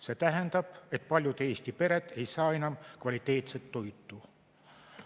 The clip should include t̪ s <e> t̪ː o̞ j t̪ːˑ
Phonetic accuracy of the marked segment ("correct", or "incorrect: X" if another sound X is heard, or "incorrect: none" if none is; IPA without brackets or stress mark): correct